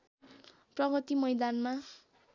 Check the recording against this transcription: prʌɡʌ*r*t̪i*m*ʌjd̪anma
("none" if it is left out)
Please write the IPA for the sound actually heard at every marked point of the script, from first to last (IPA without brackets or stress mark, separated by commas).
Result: none, m